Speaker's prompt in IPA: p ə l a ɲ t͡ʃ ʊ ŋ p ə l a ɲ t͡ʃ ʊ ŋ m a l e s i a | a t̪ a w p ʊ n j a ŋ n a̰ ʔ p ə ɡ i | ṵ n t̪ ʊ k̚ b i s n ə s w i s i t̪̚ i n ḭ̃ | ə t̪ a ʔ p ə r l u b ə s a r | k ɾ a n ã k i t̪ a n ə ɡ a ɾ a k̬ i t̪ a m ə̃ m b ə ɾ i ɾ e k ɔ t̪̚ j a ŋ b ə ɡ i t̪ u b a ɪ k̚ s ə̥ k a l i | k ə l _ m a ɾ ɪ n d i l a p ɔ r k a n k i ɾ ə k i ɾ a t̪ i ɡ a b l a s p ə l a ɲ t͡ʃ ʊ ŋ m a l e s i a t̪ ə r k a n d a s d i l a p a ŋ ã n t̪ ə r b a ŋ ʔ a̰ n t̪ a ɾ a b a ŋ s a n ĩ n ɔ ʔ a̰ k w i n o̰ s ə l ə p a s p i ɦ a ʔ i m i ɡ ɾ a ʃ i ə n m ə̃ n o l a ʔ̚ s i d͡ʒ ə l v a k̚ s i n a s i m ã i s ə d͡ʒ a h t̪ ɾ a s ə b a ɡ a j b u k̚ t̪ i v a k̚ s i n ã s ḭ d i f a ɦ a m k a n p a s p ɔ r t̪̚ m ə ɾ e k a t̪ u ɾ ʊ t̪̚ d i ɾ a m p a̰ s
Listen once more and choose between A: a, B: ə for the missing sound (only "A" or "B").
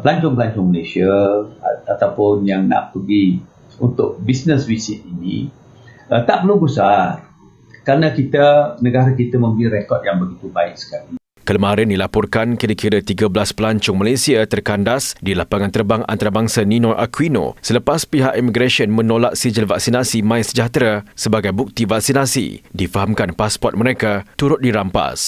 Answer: B